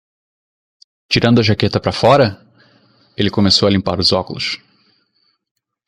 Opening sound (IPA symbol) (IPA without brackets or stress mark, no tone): t͡ʃ